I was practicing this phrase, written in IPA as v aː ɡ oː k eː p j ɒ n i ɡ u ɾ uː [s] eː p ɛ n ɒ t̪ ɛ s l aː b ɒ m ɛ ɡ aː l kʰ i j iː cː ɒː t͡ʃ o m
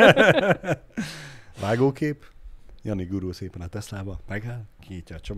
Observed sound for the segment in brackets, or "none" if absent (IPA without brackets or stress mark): s